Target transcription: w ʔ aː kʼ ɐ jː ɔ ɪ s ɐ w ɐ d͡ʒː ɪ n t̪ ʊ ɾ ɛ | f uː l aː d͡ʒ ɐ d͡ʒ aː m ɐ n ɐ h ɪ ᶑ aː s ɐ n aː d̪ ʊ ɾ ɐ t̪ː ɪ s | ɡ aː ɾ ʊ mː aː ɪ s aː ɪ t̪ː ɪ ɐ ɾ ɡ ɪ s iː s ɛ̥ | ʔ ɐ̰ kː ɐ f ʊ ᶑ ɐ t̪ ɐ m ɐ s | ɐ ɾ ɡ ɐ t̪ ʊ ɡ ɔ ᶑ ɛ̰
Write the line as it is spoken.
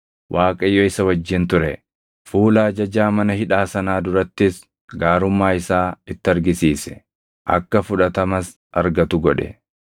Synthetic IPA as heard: w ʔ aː kʼ ɐ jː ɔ ɪ s ɐ w ɐ d͡ʒː ɪ n t̪ ʊ ɾ ɛ | f uː l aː d͡ʒ ɐ d͡ʒ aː m ɐ n ɐ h ɪ ᶑ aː s ɐ n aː d̪ ʊ ɾ ɐ t̪ː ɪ s | ɡ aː ɾ ʊ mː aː ɪ s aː ɪ t̪ː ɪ ɐ ɾ ɡ ɪ s iː s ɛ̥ | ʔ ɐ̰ kː ɐ f ʊ ᶑ ɐ t̪ ɐ m ɐ s | ɐ ɾ ɡ ɐ t̪ ʊ ɡ ɔ ᶑ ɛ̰